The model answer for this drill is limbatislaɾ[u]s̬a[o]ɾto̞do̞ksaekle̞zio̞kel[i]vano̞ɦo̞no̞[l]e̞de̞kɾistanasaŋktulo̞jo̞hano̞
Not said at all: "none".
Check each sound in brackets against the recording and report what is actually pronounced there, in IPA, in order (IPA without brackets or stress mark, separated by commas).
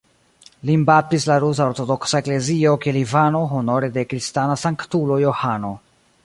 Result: u, o, i, ɾ